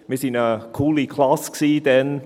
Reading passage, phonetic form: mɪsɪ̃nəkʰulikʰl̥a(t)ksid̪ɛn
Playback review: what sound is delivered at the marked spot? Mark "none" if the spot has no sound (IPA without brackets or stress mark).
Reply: s